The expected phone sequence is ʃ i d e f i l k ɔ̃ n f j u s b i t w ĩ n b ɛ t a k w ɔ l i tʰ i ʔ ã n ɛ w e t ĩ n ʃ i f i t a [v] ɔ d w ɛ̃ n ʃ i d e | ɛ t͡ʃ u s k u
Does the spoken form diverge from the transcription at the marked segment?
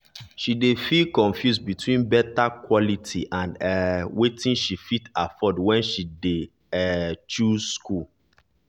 yes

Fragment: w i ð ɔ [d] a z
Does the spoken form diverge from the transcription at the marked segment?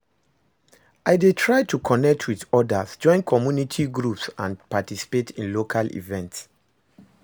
no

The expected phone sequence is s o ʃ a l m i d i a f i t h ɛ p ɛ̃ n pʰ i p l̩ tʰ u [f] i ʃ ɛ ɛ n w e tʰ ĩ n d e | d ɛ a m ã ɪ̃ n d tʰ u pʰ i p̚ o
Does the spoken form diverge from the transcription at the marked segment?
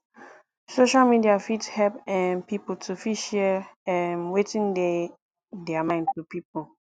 no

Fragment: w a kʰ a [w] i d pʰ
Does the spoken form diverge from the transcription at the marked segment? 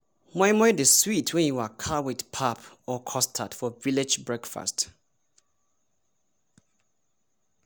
no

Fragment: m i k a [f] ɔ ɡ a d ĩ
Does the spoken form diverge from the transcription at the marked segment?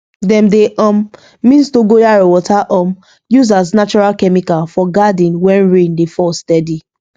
no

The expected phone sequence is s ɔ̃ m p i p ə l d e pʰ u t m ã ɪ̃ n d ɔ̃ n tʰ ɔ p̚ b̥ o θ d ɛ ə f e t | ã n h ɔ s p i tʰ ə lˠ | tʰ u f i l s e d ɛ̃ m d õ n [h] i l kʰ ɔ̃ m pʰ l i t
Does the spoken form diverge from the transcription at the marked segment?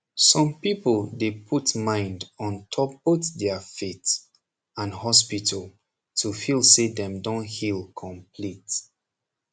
no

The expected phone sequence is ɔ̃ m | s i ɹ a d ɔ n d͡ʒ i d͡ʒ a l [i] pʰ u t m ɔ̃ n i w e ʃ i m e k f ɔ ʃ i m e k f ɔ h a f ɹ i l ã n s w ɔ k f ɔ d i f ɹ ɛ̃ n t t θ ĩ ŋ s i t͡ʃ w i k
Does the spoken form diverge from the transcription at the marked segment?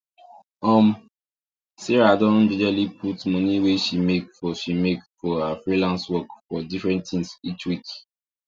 no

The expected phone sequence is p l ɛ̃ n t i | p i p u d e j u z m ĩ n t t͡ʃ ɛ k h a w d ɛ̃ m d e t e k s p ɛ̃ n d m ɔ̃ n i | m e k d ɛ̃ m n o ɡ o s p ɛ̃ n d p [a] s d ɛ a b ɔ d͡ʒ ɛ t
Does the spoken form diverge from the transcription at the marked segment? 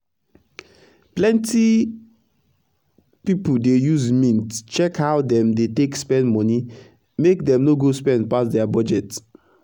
no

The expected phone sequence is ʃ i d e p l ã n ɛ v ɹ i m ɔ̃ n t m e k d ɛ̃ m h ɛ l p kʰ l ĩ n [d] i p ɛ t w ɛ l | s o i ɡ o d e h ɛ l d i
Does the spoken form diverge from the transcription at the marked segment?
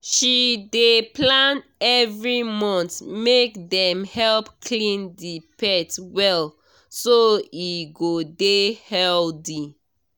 no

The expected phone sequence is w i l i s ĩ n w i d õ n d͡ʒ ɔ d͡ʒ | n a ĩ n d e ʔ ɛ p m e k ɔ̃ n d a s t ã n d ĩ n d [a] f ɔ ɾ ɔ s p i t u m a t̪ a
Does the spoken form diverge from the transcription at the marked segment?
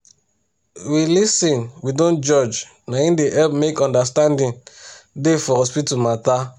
yes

